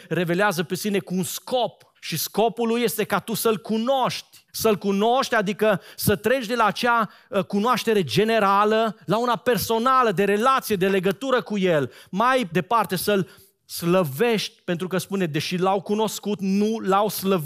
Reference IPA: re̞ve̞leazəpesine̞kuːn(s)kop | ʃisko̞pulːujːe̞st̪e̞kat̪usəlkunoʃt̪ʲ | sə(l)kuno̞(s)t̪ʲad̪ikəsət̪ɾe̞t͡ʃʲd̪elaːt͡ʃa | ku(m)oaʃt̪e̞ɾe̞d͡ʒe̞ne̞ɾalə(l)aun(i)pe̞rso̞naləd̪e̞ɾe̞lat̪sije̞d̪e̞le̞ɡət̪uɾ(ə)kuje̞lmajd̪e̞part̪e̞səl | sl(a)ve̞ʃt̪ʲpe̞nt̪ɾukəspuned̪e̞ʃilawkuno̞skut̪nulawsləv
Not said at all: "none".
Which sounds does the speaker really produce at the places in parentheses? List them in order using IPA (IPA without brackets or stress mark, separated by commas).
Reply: s, l, ʃ, n, l, a, ə, ə